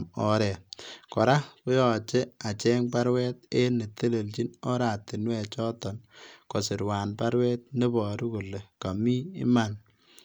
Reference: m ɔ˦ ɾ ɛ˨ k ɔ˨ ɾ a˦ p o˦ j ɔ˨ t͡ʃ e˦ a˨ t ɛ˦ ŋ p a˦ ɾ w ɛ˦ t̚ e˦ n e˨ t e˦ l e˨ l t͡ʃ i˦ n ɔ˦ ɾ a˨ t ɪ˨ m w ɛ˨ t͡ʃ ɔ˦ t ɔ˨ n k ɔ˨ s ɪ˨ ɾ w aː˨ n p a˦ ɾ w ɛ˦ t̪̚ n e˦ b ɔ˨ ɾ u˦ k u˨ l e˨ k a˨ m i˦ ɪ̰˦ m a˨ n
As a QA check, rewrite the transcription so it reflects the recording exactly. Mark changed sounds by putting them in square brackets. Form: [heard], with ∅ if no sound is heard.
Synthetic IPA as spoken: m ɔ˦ ɾ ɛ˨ k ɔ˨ ɾ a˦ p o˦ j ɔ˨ t͡ʃ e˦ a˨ [t͡ʃ] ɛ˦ ŋ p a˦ ɾ w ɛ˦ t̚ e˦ n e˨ t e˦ l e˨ l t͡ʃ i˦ n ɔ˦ ɾ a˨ t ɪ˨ [n] w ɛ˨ t͡ʃ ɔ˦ t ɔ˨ n k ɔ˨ s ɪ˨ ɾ w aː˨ n p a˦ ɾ w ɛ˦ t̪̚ n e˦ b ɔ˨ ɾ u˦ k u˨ l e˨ k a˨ m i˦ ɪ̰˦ m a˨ n